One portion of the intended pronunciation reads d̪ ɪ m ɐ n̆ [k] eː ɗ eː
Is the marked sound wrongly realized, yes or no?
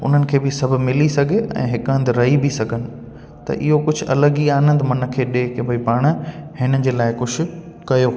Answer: yes